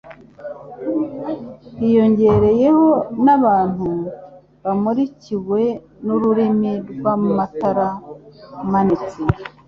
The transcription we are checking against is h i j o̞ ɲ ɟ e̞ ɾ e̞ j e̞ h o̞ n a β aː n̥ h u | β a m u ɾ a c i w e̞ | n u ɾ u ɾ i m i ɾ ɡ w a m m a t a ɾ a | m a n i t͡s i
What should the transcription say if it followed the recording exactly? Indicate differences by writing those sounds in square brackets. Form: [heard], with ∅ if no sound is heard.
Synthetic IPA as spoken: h i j o̞ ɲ ɟ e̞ ɾ e̞ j e̞ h o̞ n a β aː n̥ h u | β a m u ɾ [i] c i w e̞ | n u ɾ u ɾ i m i ɾ ɡ w a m m a t a ɾ a | m a n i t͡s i